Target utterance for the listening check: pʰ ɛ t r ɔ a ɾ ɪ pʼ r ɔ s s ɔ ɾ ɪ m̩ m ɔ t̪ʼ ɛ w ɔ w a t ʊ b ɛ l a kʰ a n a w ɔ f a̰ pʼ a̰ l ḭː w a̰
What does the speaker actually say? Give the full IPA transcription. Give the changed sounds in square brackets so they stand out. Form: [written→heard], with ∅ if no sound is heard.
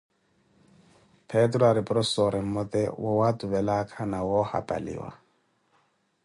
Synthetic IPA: pʰ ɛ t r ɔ a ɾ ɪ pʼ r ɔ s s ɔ ɾ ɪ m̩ m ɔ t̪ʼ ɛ w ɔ w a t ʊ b ɛ l a kʰ a n a w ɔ [f→h] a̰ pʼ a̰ l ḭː w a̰